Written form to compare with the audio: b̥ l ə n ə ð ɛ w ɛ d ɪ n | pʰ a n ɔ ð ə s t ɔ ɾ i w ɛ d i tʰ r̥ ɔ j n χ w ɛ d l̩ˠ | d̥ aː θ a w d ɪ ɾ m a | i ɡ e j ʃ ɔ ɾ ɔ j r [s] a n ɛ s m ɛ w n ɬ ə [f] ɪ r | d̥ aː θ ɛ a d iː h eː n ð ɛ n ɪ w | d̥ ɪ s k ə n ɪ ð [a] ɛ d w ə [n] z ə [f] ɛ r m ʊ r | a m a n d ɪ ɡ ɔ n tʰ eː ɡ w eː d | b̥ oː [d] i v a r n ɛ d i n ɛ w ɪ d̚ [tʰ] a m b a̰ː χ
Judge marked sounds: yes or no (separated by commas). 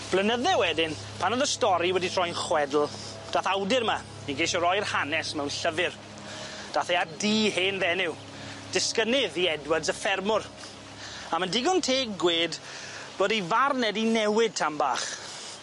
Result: no, no, no, no, yes, yes, yes